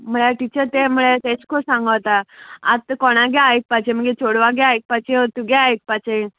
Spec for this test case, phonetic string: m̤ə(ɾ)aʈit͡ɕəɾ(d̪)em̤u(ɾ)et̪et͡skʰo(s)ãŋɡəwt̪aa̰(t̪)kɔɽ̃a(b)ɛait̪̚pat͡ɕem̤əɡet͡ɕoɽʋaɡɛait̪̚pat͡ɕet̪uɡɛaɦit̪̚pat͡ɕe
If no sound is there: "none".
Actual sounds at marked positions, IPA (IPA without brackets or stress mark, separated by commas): ɭ, t̪, ɭ, s, t̪, ɡ